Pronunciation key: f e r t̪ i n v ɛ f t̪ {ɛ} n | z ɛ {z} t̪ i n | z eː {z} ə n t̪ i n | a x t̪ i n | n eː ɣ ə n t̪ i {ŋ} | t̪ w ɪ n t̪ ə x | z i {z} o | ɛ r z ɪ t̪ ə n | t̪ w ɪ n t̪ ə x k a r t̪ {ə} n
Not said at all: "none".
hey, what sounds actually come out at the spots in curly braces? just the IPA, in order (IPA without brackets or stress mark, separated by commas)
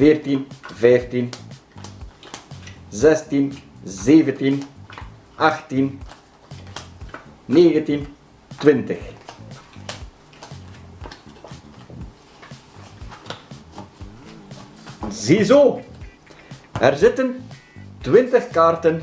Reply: i, s, v, n, z, ə